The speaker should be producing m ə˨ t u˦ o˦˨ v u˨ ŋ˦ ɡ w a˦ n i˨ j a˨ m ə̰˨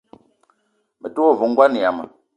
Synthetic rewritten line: m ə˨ t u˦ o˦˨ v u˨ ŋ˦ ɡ w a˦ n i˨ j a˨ m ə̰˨